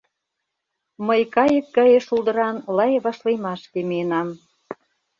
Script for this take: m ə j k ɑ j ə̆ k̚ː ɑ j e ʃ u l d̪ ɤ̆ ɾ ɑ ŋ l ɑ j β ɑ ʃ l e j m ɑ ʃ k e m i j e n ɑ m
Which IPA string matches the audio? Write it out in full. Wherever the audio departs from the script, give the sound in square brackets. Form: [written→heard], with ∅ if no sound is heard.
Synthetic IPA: m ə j k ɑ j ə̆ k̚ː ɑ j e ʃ u l d̪ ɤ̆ ɾ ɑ [ŋ→n] l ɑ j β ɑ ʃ l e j m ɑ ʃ k e m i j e n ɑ m